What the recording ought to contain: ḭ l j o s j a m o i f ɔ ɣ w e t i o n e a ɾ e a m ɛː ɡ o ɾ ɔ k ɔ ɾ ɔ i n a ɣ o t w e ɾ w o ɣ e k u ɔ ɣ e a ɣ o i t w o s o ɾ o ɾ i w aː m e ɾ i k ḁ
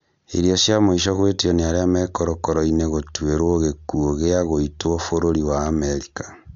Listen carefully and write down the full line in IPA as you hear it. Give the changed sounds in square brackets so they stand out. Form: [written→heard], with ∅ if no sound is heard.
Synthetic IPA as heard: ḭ [l→ɾ] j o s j a m o i [f→ʃ] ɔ ɣ w e t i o n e a ɾ e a m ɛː [ɡ→k] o ɾ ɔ k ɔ ɾ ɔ i n [a→e] ɣ o t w e ɾ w o ɣ e k u [ɔ→o] ɣ e a ɣ o i t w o [s→f] o ɾ o ɾ i w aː m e ɾ i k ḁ